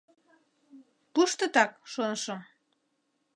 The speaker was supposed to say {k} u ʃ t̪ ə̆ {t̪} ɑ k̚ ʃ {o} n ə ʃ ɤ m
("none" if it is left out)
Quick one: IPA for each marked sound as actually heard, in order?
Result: p, t̪, o

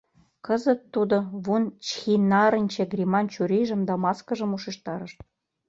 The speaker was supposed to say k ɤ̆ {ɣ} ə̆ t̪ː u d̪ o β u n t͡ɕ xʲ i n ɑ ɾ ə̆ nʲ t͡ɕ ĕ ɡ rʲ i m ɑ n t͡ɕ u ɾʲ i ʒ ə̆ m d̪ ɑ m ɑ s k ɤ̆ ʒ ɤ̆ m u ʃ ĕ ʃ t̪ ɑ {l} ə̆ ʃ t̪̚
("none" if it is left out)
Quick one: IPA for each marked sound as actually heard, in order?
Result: z, ɾ

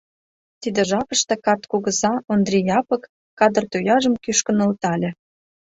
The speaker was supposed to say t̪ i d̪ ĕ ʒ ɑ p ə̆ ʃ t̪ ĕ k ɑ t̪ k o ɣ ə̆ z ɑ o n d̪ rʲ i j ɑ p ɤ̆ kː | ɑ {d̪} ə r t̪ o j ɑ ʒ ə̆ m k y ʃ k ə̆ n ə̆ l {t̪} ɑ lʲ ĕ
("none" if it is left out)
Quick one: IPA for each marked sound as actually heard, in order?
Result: d̪, t̪

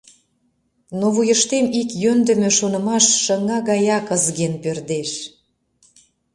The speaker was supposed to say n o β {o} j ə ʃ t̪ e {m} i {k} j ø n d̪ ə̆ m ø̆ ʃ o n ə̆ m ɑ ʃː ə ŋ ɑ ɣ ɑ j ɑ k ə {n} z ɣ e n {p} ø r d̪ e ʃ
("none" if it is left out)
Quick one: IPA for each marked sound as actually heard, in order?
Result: u, m, k, none, p

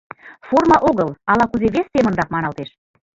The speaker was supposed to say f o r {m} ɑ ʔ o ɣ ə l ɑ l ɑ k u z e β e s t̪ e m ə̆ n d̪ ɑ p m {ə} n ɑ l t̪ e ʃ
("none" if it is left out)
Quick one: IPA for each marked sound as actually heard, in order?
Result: m, ɑ

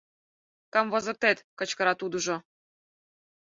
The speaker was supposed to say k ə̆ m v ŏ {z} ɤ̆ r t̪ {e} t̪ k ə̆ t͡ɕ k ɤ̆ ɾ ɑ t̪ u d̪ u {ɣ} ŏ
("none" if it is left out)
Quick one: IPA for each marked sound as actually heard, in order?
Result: z, e, ʒ

